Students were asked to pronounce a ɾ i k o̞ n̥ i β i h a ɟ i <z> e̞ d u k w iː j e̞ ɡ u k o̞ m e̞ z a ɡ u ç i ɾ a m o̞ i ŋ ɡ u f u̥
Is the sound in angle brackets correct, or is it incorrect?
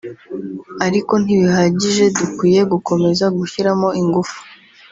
incorrect